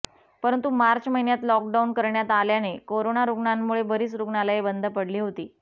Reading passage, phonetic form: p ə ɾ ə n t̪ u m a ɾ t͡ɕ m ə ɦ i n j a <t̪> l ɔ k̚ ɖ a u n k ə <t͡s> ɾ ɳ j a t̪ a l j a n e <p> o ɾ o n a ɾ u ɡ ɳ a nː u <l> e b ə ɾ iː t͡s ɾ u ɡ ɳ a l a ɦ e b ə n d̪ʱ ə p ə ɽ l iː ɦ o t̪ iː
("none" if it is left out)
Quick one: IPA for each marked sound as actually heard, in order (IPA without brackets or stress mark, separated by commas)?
t̪, none, k, ɭ